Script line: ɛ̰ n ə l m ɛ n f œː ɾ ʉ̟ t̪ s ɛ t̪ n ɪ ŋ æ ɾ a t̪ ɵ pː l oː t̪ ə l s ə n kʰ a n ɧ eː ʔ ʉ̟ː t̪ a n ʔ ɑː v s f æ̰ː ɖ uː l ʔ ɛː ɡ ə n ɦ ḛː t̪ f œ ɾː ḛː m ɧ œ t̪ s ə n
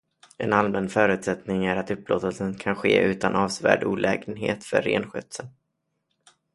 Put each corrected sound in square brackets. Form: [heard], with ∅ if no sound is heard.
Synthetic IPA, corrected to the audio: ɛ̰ n [a] l m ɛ n f œː ɾ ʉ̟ t̪ s ɛ t̪ n ɪ ŋ æ ɾ a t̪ ɵ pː l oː t̪ ə l s ə n kʰ a n ɧ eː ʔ ʉ̟ː t̪ a n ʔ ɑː v s [v] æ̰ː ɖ uː l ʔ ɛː ɡ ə n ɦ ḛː t̪ f œ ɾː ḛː [n] ɧ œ t̪ s ə n